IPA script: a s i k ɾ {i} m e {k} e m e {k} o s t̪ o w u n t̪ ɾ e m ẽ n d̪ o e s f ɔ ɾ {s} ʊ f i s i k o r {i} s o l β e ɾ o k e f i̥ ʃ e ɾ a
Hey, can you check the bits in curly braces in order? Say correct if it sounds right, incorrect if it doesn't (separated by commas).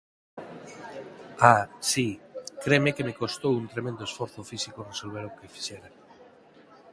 incorrect, correct, correct, incorrect, incorrect